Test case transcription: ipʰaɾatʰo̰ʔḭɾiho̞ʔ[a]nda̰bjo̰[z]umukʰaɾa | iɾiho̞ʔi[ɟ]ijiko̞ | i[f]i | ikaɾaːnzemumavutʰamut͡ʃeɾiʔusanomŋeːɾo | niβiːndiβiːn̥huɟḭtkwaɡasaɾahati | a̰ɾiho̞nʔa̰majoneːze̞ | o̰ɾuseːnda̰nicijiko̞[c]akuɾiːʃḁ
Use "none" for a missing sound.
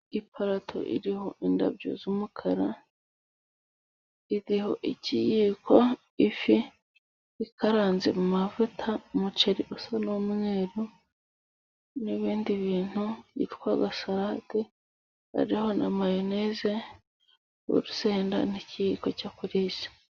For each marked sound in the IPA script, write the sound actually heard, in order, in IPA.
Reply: i, z, c, f, c

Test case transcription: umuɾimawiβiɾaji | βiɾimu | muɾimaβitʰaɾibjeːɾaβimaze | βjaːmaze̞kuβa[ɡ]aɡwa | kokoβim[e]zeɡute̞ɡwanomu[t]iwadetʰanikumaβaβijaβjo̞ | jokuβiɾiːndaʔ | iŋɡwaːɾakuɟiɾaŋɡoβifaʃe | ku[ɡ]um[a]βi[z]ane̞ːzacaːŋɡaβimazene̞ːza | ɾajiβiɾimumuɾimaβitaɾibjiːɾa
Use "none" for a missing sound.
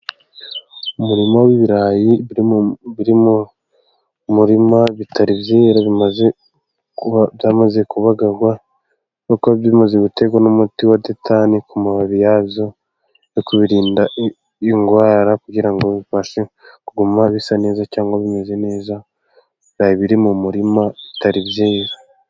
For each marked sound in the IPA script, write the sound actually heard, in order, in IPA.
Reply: ɡ, a, t, ɡ, a, s

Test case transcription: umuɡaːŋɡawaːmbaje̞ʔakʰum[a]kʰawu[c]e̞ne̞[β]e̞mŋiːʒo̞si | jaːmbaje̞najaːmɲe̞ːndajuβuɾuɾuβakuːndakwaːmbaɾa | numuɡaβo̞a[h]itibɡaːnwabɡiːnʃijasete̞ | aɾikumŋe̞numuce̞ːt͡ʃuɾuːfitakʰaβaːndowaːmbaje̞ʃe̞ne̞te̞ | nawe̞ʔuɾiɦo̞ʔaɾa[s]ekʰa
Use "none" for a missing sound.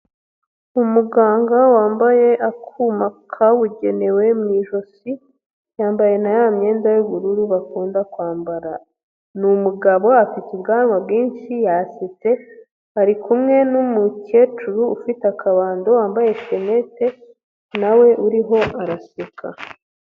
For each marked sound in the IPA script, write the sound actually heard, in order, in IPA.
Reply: a, ɟ, w, f, s

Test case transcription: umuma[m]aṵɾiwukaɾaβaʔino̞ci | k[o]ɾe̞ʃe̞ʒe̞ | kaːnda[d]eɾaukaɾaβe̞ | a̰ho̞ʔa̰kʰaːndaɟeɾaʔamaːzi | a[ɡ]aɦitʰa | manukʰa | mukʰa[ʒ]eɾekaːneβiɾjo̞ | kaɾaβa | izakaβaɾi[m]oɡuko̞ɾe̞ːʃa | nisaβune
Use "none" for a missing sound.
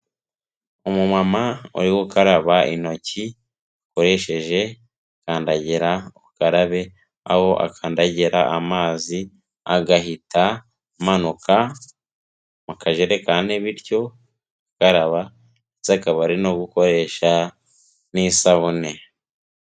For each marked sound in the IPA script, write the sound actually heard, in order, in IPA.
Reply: m, o, ɟ, ɡ, ʒ, n

